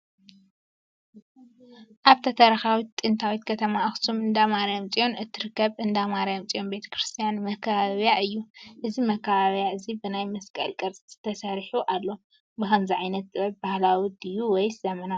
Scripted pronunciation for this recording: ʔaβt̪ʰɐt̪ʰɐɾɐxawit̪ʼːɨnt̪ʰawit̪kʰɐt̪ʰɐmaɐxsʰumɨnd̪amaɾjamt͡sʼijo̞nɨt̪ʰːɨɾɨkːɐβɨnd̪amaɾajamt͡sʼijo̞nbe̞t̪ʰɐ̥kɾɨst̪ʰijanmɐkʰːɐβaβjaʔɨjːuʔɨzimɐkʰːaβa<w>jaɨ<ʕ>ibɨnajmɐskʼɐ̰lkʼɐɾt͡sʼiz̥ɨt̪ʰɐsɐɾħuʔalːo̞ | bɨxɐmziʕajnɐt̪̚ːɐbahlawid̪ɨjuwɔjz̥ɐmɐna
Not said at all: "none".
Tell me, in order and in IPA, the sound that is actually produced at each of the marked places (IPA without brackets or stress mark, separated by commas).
β, z